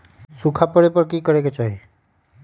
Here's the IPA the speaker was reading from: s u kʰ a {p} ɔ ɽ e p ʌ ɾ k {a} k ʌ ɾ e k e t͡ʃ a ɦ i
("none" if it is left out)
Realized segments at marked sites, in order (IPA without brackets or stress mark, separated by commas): p, i